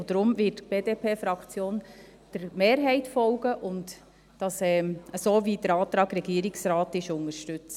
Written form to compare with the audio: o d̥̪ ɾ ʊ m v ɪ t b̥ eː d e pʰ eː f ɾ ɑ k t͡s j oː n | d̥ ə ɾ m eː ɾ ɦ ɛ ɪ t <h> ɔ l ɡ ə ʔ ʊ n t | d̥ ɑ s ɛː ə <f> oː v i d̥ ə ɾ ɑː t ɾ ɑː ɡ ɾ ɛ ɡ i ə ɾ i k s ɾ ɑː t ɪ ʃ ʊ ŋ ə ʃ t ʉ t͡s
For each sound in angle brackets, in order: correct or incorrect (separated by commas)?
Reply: incorrect, incorrect